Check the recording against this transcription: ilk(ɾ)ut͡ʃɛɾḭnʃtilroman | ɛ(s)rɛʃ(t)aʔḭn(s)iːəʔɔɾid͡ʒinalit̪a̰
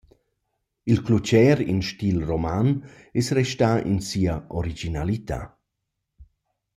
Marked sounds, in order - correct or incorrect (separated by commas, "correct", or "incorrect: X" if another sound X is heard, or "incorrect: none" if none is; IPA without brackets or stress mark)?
incorrect: l, correct, correct, correct